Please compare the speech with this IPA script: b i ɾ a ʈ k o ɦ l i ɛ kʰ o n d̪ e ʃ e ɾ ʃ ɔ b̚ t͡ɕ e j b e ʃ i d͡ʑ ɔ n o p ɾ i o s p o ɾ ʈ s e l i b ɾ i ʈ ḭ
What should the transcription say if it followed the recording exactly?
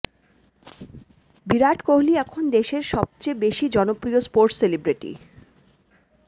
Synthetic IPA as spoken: b i ɾ a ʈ k o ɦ l i ɛ kʰ o n d̪ e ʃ e ɾ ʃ ɔ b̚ t͡ɕ e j b e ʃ i d͡ʑ ɔ n o p ɾ i o s p o ɾ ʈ s e l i b ɾ i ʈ ḭ